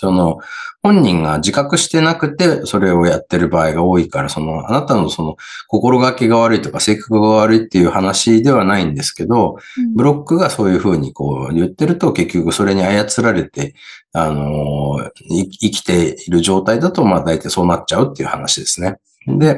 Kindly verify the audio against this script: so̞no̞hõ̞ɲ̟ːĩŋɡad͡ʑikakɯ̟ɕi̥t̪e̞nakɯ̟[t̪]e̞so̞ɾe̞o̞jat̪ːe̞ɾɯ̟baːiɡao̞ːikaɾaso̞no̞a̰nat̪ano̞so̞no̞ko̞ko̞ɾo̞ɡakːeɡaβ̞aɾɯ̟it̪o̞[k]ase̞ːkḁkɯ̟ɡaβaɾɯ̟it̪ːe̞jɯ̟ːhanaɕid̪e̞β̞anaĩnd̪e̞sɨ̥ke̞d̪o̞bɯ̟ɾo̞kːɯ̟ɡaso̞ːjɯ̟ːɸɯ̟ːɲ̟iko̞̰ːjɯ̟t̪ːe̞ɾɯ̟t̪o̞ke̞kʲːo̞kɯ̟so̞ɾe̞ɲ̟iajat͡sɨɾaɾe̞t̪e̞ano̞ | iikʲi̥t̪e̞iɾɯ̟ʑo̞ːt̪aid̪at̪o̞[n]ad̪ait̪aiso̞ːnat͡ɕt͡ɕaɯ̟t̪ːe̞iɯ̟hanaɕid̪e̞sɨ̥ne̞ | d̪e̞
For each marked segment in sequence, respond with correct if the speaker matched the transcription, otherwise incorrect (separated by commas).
correct, correct, incorrect